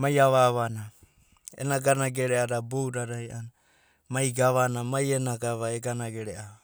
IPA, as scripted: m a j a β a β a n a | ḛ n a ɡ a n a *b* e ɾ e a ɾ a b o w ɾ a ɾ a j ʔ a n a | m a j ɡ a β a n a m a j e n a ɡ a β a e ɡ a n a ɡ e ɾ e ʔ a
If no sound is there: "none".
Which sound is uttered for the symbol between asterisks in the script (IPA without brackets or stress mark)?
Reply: ɡ